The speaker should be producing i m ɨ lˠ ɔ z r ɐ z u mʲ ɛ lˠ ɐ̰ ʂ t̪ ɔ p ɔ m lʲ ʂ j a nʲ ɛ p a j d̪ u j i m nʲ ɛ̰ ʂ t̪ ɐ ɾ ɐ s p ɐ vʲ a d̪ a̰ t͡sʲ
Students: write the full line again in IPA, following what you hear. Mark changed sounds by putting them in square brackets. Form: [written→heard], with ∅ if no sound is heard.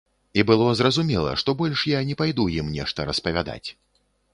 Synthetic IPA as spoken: i [m→b] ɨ lˠ ɔ z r ɐ z u mʲ ɛ lˠ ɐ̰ ʂ t̪ ɔ [p→b] ɔ [m→∅] lʲ ʂ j a nʲ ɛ p a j d̪ u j i m nʲ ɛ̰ ʂ t̪ ɐ ɾ ɐ s p ɐ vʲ a d̪ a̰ t͡sʲ